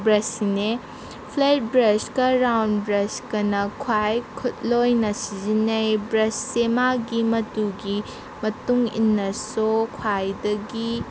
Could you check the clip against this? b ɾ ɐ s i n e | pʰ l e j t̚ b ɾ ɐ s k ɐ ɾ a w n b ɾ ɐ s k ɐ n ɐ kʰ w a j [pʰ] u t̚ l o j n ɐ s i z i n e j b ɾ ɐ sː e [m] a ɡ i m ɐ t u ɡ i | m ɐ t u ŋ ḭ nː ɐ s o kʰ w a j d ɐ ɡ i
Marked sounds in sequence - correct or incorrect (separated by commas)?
incorrect, correct